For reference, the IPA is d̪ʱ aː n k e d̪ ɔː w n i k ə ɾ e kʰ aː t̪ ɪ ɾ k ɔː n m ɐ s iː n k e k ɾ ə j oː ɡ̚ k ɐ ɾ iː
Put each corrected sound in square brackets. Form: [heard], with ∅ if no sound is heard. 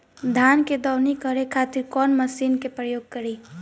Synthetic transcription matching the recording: d̪ʱ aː n k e d̪ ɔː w n i k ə ɾ e kʰ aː t̪ ɪ ɾ k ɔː n m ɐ s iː n k e [p] ɾ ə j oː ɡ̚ k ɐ ɾ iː